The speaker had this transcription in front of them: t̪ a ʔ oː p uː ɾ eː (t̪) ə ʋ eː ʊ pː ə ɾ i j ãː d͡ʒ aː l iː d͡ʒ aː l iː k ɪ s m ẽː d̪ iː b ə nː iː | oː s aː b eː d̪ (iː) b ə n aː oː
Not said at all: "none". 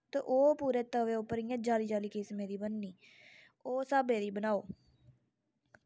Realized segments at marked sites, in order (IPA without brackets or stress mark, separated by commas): t̪, iː